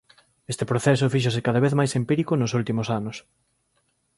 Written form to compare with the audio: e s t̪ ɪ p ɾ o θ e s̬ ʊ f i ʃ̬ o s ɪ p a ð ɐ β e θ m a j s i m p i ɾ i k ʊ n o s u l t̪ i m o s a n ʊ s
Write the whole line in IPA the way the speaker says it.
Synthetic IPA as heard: e s t̪ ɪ p ɾ o θ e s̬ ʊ f i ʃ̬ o s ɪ k a ð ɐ β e θ m a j s e m p i ɾ i k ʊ n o s u l t̪ i m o s a n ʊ s